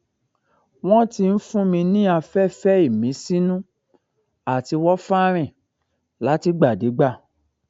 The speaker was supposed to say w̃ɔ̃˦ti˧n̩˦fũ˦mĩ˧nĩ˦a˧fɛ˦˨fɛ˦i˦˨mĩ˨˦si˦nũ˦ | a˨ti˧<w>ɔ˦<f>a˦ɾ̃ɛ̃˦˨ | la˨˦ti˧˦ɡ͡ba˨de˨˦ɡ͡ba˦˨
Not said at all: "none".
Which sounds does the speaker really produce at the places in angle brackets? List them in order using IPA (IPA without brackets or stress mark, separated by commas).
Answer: w, f